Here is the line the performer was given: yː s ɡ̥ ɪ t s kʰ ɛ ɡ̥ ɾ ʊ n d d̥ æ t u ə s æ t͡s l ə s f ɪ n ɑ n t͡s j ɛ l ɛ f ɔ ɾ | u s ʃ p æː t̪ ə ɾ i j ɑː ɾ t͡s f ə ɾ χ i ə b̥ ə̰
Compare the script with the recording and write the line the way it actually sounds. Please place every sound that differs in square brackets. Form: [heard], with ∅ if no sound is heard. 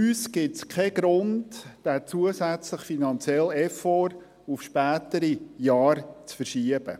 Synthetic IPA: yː s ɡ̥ ɪ t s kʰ ɛ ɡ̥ ɾ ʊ n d d̥ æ [t͡s] u ə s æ t͡s l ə [χ] f [i] n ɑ n t͡s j ɛ l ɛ f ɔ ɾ | u [f] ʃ p æː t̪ ə ɾ i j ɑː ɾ t͡s f ə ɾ [ʃ] i ə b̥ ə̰